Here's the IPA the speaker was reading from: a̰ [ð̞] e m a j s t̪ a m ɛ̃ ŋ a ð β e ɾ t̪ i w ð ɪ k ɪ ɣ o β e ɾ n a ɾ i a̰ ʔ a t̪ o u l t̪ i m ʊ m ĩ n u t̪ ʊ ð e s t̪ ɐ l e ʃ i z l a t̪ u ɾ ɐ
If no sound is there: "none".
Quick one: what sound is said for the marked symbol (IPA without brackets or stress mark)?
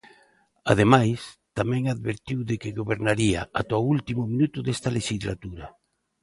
ð̞